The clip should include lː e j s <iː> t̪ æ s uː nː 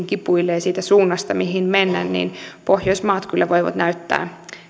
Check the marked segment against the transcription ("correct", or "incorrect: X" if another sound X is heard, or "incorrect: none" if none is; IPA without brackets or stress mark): correct